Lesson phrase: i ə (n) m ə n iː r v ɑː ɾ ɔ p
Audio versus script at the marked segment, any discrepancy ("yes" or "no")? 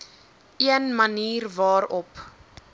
no